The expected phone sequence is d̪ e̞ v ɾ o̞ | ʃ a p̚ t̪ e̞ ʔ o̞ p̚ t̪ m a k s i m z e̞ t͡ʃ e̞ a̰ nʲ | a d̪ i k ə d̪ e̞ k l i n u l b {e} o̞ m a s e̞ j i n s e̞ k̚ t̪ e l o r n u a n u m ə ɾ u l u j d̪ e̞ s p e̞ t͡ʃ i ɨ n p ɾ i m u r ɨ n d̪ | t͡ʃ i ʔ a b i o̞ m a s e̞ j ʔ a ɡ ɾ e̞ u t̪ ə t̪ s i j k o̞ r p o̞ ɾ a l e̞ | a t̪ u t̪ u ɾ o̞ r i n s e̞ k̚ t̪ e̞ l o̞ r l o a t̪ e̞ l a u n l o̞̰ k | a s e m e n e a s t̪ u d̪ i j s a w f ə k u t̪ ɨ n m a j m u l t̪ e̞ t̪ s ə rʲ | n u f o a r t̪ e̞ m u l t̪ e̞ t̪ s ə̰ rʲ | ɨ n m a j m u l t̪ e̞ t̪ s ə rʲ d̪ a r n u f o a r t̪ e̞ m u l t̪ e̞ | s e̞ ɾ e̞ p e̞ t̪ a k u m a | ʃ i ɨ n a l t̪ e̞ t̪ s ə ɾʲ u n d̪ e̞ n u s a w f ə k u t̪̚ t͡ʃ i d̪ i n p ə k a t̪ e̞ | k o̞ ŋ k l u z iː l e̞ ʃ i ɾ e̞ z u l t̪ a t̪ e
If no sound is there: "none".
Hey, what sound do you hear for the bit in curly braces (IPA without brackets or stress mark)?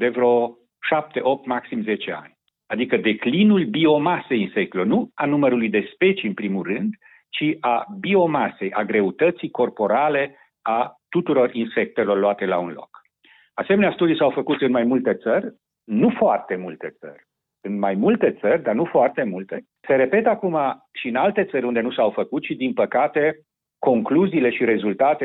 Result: i